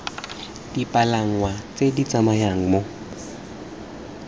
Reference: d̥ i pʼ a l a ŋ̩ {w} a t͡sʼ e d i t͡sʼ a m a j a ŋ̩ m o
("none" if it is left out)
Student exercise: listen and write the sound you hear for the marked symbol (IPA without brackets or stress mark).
w